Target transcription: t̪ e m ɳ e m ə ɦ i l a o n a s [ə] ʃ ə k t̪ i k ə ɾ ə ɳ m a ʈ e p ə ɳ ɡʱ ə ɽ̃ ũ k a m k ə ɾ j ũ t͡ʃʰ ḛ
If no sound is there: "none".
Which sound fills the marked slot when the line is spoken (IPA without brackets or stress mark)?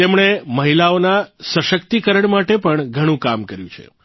ə